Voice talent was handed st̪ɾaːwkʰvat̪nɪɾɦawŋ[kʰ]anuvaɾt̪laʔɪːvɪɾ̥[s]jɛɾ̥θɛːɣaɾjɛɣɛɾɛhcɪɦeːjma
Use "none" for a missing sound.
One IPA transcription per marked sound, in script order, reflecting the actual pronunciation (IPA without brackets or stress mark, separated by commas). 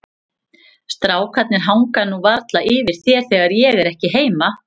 k, θ